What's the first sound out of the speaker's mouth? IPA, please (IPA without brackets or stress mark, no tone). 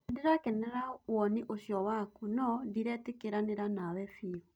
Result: d